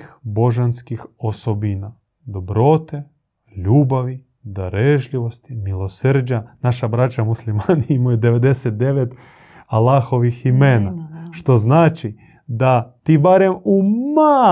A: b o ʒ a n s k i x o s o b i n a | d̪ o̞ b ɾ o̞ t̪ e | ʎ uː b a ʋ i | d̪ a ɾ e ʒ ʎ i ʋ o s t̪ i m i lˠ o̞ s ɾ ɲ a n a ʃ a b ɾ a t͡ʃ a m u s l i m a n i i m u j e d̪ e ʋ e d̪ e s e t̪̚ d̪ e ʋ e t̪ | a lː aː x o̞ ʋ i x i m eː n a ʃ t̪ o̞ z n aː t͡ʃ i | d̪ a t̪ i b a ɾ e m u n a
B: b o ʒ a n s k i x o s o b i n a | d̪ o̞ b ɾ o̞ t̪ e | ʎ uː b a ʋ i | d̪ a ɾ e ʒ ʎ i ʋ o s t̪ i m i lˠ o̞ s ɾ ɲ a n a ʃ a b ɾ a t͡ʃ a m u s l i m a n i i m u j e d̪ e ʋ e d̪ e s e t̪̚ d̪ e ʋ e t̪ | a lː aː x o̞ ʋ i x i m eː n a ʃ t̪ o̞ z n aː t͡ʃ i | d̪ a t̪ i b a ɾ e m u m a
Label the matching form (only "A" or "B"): B